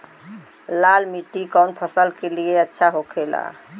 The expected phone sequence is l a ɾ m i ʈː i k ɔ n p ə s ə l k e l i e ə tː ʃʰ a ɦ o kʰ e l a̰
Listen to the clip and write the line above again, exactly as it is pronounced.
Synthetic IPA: l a l m i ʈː i k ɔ n pʰ ə s ə l k e l i e ə tː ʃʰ a ɦ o kʰ e l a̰